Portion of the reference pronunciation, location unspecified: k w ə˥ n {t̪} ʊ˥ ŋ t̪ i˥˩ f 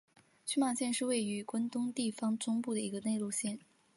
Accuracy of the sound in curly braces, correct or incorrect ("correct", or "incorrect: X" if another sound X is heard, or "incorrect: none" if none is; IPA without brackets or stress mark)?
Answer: correct